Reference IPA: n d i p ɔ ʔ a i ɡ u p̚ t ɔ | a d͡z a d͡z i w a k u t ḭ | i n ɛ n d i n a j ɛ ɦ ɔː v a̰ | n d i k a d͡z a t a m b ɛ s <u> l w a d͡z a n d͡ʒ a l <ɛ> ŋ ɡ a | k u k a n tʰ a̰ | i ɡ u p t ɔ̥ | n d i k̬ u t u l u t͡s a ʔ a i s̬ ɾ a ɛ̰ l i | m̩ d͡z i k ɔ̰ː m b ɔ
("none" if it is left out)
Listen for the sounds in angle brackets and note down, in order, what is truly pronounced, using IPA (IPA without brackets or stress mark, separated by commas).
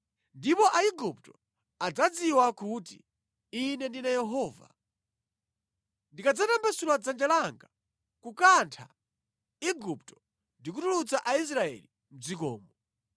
u, a